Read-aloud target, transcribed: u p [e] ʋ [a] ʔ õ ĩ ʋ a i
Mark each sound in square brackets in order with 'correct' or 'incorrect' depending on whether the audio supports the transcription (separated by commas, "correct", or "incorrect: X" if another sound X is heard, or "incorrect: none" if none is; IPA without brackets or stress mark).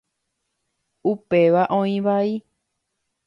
correct, correct